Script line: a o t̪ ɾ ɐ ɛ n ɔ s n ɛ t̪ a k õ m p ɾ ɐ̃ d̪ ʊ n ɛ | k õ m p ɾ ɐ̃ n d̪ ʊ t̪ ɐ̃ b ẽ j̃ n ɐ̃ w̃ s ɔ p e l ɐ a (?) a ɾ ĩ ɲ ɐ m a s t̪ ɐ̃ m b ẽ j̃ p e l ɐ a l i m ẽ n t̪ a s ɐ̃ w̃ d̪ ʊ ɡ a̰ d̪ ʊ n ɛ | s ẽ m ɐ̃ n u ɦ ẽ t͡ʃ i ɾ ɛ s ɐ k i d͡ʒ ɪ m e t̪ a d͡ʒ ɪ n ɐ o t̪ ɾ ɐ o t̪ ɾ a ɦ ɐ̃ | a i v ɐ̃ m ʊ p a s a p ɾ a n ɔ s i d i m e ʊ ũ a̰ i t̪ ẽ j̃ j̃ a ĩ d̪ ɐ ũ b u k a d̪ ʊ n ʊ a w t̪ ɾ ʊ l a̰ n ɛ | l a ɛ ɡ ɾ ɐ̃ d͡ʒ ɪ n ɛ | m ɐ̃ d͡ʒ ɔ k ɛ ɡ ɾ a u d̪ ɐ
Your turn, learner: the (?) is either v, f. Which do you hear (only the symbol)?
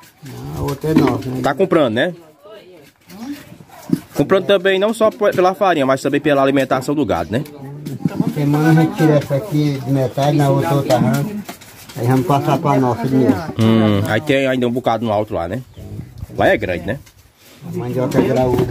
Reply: f